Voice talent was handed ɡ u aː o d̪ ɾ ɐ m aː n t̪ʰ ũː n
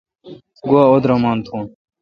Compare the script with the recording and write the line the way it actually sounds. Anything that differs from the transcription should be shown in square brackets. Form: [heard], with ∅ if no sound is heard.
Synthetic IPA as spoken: ɡ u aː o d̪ ɾ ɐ m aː n t̪ʰ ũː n